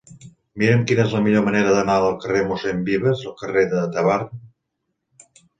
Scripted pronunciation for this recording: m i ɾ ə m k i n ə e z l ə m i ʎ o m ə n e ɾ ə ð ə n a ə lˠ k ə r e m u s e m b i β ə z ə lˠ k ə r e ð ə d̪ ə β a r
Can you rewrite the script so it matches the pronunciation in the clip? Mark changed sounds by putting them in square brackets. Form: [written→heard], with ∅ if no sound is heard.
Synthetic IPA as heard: m i ɾ ə m k i n ə e z l ə m i ʎ o m ə n e ɾ ə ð ə n a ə lˠ k ə r e m u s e m b i β ə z ə lˠ k ə r e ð ə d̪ ə β a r